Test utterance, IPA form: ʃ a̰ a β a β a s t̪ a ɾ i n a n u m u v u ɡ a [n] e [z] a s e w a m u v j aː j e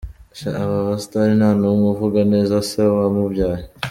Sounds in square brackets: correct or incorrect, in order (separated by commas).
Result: correct, correct